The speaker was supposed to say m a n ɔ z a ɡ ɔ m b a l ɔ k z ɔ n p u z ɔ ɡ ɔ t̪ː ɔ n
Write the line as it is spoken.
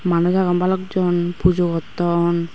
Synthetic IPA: m a n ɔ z a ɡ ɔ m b a l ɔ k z ɔ n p u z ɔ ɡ ɔ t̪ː ɔ n